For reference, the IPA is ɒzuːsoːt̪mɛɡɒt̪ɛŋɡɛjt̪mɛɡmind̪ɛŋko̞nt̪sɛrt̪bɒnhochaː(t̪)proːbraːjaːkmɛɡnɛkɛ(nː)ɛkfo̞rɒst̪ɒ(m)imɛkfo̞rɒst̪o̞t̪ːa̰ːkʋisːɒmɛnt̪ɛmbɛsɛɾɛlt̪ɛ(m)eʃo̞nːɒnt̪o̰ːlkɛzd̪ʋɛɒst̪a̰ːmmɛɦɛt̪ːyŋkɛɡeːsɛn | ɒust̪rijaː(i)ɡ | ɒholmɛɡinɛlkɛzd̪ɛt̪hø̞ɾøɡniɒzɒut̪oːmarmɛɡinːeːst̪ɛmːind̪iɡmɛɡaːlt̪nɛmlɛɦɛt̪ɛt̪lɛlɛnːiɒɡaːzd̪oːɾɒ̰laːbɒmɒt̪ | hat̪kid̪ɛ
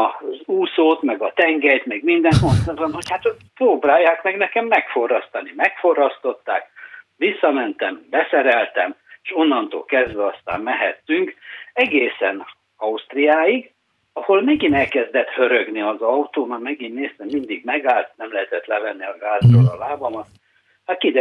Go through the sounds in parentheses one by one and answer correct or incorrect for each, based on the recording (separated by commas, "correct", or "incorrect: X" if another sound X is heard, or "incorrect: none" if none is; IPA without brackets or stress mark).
correct, incorrect: mː, incorrect: n, correct, correct